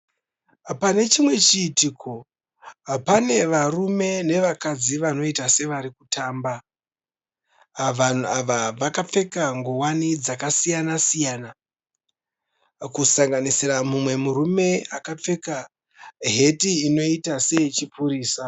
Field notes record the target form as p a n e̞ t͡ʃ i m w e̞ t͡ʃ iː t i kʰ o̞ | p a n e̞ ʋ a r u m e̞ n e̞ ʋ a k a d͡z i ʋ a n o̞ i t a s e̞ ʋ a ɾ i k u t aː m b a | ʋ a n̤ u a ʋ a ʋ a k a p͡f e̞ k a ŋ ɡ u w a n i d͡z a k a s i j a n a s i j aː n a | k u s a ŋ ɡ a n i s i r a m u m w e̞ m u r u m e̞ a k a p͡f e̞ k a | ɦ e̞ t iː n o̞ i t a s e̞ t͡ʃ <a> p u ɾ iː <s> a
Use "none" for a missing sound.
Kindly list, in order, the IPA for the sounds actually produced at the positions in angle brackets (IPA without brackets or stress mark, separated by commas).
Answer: i, s